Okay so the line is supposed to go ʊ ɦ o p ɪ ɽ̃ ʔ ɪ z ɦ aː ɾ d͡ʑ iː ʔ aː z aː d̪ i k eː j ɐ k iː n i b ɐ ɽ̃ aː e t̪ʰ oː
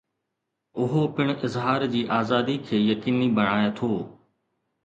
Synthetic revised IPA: ʊ ɦ o p ɪ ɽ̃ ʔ ɪ z ɦ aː ɾ d͡ʑ iː ʔ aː z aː d̪ i kʰ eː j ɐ k iː n i b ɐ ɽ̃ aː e t̪ʰ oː